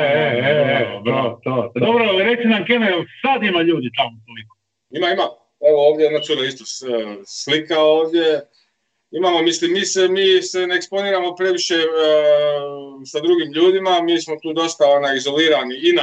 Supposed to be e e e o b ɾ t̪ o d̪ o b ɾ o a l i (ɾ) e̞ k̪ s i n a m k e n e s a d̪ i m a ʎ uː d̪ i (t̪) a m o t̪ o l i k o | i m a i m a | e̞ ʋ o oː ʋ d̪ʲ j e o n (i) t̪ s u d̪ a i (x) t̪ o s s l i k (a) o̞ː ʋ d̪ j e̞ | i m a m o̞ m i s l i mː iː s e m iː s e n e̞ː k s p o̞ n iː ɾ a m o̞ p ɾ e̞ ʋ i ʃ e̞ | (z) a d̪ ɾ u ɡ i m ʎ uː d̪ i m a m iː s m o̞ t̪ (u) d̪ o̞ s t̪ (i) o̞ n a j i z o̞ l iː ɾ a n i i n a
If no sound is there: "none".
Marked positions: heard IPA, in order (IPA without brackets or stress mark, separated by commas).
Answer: ɾ, t̪, a, s, a, s, uː, a